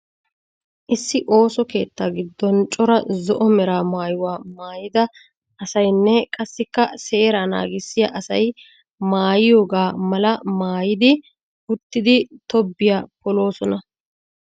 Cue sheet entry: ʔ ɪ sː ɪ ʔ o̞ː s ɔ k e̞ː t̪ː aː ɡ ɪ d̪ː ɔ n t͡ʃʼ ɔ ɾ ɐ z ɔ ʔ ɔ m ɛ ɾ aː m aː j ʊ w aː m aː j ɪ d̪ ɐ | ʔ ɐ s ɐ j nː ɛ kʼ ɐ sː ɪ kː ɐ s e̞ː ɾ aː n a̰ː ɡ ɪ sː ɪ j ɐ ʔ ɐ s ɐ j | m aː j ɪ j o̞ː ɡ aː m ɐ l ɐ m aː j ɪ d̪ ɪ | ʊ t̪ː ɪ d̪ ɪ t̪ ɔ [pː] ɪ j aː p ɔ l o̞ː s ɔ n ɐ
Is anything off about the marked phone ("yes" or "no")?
yes